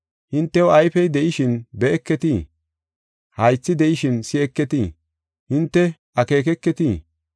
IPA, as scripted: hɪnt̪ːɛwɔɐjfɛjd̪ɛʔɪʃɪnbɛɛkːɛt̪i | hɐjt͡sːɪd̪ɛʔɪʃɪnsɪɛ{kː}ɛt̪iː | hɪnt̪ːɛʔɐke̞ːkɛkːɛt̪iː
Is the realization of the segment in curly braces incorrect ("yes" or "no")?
no